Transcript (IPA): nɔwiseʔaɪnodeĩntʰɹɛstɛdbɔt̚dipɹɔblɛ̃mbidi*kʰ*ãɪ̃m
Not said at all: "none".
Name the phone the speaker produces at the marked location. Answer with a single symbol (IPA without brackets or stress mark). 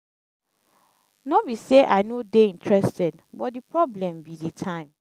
tʰ